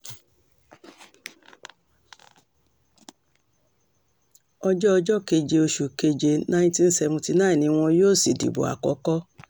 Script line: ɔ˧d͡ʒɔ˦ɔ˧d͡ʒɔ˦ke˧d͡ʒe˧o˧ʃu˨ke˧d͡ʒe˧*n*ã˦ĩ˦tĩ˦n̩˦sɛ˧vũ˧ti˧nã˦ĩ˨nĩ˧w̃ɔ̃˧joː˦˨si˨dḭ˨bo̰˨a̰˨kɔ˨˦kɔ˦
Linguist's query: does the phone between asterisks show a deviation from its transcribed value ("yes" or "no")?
no